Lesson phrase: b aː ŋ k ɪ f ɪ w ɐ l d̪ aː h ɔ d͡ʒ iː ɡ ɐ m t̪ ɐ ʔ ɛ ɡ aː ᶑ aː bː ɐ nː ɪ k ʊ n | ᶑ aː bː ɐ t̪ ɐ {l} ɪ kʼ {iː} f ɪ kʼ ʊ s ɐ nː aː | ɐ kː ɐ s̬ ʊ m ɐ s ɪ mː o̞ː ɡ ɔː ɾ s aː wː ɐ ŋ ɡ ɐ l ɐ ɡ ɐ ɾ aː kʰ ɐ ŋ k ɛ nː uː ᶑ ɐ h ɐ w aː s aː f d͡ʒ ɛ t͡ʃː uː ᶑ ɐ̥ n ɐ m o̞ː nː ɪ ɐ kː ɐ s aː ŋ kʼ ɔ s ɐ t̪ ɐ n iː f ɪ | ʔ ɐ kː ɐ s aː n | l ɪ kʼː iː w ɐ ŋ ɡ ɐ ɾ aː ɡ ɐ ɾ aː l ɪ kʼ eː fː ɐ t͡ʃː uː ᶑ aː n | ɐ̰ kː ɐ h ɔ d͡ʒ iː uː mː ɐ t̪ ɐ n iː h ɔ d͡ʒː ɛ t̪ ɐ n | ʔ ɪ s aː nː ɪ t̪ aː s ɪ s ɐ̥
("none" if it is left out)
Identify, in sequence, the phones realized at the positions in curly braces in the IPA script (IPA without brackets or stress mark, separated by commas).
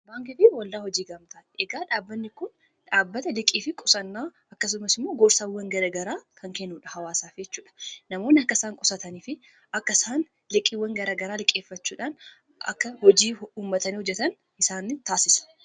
l, iː